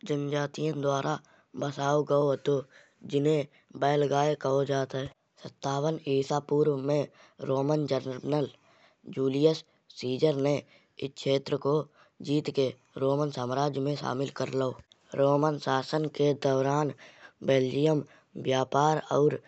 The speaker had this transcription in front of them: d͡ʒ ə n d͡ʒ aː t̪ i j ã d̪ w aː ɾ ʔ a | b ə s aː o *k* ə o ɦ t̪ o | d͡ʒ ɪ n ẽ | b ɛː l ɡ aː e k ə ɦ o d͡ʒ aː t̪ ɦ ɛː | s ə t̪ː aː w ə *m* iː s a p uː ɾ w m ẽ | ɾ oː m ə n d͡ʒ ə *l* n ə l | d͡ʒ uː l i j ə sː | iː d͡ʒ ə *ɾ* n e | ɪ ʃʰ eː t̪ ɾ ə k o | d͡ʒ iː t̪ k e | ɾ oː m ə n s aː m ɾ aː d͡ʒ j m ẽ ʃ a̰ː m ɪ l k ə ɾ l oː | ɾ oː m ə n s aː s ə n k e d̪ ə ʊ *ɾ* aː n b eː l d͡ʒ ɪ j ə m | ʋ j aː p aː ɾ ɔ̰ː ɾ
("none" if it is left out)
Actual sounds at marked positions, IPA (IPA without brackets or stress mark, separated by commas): ɡ, n, ɾ, ɾ, ɾ